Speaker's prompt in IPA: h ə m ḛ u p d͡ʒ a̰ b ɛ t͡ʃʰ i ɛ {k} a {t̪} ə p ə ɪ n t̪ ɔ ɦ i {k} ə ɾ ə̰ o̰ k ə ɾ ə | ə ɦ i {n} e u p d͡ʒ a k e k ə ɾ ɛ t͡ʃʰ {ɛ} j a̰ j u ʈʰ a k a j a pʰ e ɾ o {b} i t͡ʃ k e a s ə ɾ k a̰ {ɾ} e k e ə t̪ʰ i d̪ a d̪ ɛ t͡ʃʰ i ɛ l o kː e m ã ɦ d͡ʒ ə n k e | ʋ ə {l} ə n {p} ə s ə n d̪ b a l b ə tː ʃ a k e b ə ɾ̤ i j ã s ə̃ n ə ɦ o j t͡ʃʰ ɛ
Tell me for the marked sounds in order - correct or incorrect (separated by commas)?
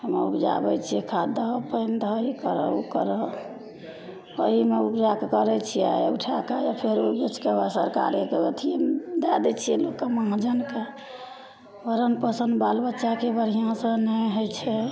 incorrect, incorrect, correct, incorrect, incorrect, correct, correct, incorrect, correct